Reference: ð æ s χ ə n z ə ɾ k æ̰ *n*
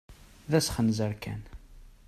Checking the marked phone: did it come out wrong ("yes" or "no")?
no